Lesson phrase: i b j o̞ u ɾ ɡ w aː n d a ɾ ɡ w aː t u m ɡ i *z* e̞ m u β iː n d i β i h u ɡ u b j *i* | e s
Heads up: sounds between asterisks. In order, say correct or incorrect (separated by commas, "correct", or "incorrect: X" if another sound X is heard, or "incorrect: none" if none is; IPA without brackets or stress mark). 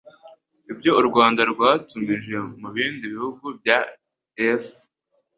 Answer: incorrect: ʒ, incorrect: a